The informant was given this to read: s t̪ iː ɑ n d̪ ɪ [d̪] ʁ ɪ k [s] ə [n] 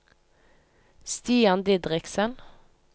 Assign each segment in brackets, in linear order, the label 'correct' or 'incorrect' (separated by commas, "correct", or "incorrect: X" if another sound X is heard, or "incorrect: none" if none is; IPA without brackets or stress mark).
correct, correct, correct